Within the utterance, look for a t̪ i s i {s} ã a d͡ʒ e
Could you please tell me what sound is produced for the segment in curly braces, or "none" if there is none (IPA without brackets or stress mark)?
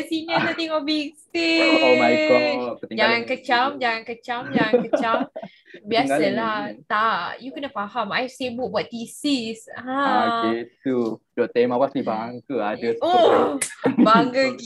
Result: s